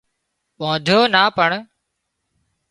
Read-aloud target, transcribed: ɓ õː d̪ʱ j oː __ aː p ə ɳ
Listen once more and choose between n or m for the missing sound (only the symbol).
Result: n